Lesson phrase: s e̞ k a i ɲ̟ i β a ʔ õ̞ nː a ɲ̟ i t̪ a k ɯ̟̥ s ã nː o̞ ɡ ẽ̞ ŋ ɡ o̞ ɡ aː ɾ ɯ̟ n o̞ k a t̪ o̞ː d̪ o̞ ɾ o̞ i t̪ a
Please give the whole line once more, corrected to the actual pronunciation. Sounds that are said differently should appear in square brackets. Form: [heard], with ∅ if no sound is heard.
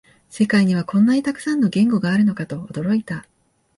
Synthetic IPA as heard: s e̞ k a i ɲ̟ i β a [k] õ̞ nː a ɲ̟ i t̪ a k ɯ̟̥ s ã nː o̞ ɡ ẽ̞ ŋ ɡ o̞ ɡ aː ɾ ɯ̟ n o̞ k a t̪ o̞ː d̪ o̞ ɾ o̞ i t̪ a